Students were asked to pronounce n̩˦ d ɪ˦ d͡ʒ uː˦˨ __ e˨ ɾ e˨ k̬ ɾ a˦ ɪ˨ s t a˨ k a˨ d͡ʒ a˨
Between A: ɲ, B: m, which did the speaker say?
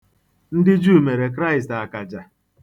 B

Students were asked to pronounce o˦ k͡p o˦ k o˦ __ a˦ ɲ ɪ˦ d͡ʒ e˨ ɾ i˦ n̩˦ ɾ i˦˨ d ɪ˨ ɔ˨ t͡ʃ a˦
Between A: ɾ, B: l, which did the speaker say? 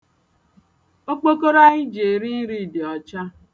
A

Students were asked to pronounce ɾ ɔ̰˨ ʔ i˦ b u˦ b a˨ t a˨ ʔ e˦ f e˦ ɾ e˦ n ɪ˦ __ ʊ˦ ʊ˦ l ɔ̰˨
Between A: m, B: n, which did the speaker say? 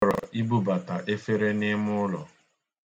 A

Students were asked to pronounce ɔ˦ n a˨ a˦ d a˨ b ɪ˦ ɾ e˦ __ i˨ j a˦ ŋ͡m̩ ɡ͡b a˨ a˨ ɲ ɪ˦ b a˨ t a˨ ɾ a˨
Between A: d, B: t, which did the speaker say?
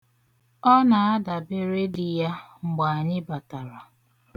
A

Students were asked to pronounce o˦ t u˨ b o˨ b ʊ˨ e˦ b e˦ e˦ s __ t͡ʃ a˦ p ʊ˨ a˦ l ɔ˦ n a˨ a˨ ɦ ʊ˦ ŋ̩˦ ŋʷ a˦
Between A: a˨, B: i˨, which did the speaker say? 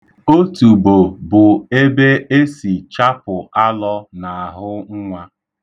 B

